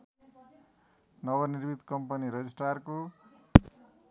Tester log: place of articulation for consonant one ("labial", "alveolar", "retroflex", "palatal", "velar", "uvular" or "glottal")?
alveolar